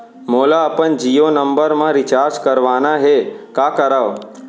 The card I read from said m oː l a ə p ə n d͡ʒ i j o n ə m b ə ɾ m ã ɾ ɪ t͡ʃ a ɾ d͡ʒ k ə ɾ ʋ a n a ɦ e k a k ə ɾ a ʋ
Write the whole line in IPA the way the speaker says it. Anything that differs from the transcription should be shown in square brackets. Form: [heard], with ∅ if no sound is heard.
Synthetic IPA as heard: m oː l a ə p ə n d͡ʒ i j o n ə m b ə ɾ m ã ɾ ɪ t͡ʃ a ɾ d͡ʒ k ə ɾ ʋ a n a ɦ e k a k ə ɾ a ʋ